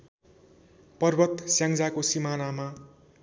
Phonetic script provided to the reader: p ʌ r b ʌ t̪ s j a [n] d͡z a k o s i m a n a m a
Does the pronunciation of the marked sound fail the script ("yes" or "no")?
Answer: yes